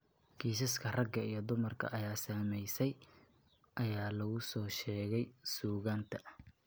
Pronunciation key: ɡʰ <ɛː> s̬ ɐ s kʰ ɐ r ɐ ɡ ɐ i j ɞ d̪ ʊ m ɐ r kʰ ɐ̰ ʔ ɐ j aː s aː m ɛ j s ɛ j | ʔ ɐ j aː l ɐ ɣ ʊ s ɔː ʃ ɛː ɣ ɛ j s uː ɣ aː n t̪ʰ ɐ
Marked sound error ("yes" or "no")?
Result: yes